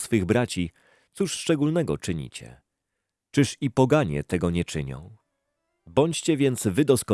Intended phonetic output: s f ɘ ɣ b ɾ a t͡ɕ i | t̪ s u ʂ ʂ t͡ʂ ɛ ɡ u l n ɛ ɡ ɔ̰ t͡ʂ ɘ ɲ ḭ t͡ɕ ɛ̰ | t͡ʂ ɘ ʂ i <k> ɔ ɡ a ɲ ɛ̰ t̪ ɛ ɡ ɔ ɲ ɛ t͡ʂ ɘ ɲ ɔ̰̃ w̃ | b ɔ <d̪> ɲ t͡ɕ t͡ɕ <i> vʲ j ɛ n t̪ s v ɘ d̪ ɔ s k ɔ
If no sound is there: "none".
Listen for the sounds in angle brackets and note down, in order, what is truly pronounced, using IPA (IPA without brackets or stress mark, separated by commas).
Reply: p, none, ɛ